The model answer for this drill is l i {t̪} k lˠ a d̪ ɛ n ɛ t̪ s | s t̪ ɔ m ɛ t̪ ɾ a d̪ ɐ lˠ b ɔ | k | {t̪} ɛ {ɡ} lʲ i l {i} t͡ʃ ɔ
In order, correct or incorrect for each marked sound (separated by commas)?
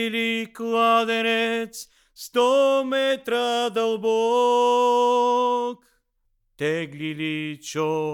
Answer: incorrect, correct, correct, correct